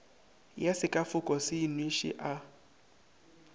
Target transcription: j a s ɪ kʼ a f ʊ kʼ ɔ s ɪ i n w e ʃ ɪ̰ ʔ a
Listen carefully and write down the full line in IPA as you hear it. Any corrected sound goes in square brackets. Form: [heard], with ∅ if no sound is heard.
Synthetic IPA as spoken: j a s ɪ kʼ a f ʊ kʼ ɔ s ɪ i n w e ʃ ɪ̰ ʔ a